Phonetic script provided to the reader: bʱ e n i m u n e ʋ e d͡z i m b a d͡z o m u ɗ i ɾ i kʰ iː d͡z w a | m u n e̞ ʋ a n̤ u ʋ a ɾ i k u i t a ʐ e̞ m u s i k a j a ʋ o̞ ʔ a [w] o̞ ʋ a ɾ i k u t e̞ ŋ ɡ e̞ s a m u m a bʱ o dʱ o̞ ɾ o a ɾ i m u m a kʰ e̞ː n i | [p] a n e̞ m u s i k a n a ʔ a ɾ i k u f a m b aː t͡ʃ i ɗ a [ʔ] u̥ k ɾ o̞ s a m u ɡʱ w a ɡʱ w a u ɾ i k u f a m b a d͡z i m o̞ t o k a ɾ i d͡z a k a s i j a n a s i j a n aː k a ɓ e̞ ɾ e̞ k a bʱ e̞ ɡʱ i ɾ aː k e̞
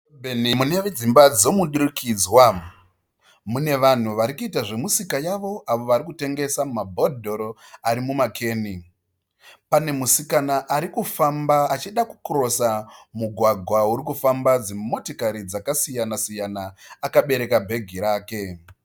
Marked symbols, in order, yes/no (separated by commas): no, yes, no